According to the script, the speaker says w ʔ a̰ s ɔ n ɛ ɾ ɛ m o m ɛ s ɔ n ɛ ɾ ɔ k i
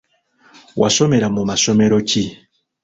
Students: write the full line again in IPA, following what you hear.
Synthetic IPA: w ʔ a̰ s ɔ m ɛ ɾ a m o m a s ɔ m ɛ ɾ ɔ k i